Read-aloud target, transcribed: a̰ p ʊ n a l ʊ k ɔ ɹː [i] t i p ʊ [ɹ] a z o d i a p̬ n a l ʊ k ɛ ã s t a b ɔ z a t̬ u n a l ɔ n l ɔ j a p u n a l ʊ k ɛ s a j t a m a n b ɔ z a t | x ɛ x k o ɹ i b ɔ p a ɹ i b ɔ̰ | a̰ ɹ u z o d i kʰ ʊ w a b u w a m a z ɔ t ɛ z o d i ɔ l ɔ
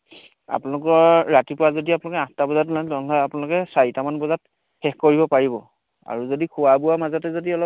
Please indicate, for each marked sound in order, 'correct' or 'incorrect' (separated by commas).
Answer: incorrect, correct